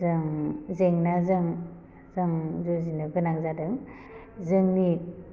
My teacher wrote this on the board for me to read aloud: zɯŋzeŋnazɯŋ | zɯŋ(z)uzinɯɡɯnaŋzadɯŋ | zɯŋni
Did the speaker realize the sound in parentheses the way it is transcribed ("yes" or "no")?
yes